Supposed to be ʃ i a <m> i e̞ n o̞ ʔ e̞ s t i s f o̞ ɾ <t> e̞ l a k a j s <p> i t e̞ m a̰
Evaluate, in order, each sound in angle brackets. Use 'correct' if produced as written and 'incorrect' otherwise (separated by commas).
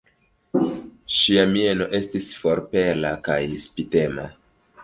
correct, incorrect, correct